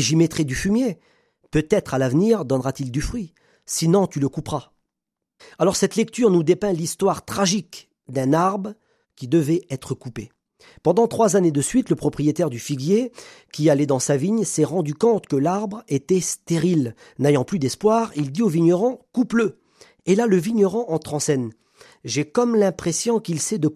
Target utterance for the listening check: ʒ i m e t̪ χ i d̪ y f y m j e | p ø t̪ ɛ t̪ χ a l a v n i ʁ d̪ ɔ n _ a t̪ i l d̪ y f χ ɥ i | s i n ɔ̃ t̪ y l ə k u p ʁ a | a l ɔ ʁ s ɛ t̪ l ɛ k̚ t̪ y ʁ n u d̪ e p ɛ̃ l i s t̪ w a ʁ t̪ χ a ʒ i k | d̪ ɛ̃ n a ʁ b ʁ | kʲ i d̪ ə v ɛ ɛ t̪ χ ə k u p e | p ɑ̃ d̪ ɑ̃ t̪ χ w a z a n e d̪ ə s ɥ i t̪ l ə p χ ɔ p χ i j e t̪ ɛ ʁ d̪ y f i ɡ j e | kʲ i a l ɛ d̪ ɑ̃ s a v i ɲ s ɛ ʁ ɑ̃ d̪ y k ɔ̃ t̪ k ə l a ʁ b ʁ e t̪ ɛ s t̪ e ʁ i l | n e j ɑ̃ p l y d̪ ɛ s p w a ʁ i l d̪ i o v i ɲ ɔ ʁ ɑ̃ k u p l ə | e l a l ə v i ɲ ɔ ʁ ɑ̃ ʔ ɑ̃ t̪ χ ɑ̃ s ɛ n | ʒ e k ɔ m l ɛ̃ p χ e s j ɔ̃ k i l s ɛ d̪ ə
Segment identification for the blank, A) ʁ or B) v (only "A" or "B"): A